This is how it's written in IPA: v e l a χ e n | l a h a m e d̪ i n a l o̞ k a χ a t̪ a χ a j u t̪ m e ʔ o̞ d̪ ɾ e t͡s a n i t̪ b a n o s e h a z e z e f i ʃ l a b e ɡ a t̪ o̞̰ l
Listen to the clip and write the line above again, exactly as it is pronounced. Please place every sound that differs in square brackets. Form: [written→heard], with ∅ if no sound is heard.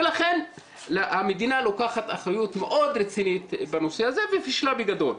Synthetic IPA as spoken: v e l a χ e n | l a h a m e d̪ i n a l o̞ k a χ a t̪ a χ a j u t̪ m e ʔ o̞ d̪ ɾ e t͡s [a→i] n i t̪ b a n o s e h a z e [z→v] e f i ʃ l a b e ɡ a [t̪→d̪] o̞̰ l